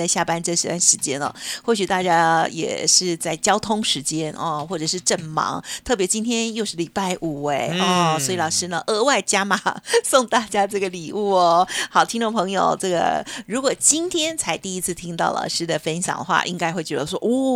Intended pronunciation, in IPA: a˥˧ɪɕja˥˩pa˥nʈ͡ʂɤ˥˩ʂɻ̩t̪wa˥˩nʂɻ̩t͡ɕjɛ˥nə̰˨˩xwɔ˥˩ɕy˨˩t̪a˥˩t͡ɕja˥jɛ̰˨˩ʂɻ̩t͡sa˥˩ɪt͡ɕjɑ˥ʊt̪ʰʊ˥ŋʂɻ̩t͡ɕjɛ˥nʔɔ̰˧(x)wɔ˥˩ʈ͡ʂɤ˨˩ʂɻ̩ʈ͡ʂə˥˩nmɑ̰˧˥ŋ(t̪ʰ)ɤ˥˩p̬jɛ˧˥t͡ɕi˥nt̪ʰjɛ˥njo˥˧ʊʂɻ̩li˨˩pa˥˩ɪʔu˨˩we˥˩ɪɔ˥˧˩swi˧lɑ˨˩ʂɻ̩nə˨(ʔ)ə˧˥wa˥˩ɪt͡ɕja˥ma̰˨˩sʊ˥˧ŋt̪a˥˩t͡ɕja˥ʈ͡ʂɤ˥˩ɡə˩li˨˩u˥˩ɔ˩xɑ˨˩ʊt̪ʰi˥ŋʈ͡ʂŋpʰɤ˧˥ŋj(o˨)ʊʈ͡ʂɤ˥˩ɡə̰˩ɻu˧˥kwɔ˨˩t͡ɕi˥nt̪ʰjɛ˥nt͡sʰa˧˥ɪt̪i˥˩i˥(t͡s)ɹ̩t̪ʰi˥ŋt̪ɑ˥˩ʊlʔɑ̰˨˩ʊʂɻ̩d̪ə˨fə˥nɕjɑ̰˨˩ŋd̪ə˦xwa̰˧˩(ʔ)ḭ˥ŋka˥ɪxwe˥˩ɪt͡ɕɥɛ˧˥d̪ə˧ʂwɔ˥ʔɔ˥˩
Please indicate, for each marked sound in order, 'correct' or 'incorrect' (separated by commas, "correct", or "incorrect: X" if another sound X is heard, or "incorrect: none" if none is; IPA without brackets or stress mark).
correct, correct, correct, correct, incorrect: t͡sʰ, correct